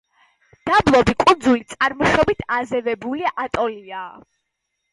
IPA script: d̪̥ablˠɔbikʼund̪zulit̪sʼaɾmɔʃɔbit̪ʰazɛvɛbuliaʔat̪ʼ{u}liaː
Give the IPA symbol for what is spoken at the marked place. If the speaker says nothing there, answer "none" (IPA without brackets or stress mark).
ɔ